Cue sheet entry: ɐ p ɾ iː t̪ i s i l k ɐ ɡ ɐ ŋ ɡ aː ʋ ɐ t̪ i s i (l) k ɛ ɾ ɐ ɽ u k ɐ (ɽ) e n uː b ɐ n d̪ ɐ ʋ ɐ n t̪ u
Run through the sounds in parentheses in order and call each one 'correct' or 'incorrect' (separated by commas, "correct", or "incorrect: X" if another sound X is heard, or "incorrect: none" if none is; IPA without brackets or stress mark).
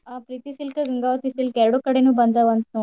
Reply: correct, correct